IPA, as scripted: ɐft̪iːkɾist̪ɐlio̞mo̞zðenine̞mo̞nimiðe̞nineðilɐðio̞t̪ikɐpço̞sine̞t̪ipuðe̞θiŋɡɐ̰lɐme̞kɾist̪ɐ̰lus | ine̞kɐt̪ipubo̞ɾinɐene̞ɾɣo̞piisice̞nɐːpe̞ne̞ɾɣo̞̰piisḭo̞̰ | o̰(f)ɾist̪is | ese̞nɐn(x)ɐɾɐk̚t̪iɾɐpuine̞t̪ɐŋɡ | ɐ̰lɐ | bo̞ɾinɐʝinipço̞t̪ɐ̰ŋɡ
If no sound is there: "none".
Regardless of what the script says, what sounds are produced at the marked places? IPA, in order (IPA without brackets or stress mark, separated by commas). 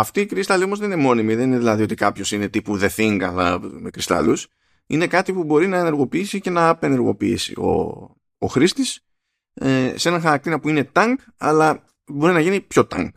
x, x